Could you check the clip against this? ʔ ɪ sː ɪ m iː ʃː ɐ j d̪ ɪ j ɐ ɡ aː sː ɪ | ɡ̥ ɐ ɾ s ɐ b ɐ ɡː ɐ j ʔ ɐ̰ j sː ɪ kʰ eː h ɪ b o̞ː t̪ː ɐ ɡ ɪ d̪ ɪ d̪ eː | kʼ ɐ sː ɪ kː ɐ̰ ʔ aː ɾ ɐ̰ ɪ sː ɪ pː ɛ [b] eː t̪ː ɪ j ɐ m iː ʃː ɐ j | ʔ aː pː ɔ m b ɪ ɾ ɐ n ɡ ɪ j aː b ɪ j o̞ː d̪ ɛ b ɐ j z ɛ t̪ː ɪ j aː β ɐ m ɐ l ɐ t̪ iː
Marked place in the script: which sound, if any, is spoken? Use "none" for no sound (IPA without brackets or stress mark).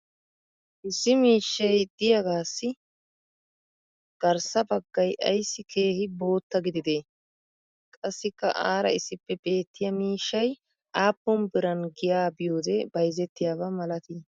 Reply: b